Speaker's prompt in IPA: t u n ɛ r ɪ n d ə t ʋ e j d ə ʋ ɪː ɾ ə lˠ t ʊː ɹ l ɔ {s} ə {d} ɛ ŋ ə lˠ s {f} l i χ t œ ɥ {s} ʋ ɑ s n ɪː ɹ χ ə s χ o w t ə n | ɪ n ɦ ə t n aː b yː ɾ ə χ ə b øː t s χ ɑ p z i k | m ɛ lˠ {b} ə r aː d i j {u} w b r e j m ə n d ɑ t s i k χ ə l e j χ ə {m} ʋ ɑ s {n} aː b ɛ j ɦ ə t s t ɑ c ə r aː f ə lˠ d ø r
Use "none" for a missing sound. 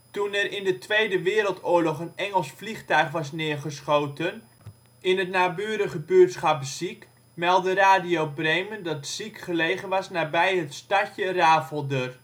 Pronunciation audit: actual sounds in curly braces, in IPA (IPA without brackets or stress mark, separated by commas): χ, n, f, χ, d, o, n, n